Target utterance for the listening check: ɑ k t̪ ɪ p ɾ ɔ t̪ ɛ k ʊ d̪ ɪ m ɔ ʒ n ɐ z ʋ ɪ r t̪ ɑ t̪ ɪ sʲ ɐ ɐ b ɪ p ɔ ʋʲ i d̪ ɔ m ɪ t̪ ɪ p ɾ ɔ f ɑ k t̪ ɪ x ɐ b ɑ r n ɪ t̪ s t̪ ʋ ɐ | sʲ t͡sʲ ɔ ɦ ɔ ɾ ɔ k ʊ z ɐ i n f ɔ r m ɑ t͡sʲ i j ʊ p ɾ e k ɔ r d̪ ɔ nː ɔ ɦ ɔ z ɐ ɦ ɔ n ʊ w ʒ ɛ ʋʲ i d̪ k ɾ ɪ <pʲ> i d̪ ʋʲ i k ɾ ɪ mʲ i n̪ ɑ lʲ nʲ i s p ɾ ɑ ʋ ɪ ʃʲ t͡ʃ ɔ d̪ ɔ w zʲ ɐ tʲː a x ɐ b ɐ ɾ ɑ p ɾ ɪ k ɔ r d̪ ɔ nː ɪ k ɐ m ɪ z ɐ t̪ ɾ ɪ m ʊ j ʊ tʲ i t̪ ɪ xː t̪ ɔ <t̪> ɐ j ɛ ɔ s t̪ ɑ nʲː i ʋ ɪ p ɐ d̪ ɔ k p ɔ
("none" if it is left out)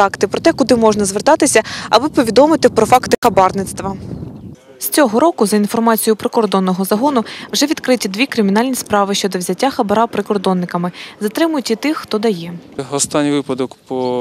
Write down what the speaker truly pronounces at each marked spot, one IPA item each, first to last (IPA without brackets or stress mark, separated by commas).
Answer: tʲ, d̪